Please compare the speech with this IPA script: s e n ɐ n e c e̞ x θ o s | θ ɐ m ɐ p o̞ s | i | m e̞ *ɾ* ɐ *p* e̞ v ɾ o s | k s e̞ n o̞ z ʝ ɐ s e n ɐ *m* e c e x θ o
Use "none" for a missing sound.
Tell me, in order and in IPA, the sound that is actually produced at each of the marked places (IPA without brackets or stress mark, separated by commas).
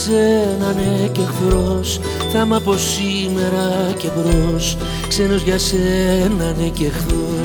ɾ, c, n